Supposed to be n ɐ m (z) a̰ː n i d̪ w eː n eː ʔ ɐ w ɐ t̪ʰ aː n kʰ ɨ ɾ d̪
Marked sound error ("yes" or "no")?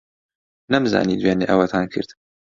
no